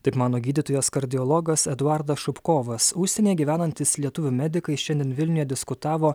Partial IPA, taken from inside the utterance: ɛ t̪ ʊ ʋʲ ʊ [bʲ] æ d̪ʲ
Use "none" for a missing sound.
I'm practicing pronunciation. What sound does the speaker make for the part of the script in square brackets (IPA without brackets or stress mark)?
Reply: mʲ